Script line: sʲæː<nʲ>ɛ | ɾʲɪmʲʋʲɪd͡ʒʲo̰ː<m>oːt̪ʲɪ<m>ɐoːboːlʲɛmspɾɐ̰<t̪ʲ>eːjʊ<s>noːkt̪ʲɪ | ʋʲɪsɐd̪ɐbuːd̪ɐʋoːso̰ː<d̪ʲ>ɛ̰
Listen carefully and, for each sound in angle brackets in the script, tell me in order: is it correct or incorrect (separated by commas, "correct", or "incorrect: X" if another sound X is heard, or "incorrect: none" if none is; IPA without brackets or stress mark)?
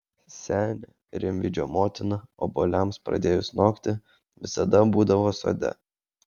correct, correct, incorrect: n, incorrect: d̪ʲ, correct, correct